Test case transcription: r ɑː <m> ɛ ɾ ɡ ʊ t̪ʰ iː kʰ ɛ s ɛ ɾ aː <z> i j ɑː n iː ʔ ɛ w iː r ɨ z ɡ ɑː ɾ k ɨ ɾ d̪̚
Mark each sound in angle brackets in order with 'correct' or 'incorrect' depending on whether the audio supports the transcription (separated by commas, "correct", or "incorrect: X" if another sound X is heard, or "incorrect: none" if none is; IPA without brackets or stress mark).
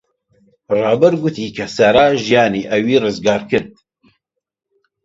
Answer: incorrect: b, incorrect: ʒ